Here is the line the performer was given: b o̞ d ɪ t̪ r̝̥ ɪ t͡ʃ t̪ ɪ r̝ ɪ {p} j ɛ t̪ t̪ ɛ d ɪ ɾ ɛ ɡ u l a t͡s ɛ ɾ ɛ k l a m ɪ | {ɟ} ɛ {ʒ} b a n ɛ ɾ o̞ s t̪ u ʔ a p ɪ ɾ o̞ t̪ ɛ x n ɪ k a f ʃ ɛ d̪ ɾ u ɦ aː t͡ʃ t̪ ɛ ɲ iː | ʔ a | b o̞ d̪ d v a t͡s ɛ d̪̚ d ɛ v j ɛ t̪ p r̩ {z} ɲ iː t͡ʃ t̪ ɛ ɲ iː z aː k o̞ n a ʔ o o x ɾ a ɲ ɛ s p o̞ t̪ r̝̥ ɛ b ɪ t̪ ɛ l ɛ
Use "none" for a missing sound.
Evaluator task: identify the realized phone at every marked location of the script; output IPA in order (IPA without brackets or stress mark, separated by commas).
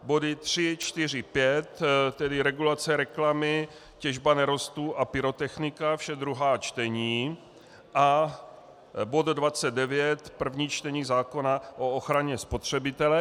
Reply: p, c, ʒ, v